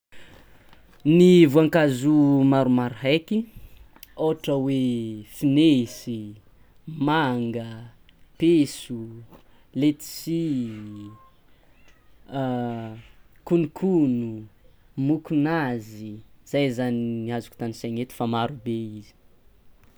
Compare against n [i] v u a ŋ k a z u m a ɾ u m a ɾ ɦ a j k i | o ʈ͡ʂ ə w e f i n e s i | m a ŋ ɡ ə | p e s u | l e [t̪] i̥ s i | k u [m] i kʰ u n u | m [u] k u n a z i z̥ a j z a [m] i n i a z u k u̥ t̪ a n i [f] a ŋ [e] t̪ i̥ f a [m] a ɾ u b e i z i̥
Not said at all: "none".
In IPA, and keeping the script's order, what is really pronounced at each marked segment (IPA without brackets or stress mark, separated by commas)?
i, t̪, n, u, n, s, e, m